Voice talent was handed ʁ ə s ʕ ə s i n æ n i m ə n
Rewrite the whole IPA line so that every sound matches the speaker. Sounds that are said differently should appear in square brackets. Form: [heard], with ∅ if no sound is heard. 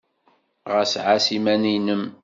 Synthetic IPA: ʁ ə s ʕ [a] s i [m] æ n i [n] ə [m]